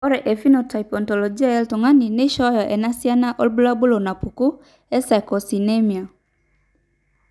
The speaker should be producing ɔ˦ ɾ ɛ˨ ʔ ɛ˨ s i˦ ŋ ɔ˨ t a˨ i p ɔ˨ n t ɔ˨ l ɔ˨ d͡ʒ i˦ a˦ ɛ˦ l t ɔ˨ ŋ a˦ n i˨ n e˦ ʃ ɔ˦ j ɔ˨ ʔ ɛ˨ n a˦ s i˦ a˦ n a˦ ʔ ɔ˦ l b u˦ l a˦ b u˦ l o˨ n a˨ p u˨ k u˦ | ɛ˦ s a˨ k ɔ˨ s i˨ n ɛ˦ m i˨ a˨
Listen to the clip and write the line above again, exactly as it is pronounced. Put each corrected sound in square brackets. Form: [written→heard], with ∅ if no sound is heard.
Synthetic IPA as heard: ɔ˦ ɾ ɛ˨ ʔ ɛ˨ [s→f] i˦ [ŋ→n] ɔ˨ t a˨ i p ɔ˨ n t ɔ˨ l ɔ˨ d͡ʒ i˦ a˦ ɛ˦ l t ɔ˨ ŋ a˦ n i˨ n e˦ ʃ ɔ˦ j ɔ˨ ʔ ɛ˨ n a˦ s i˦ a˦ n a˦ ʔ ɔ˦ l b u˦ l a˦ b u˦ l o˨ n a˨ p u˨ k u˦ | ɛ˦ s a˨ k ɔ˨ s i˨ n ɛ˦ m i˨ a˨